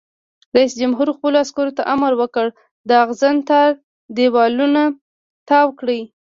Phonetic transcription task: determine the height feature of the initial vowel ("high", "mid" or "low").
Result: low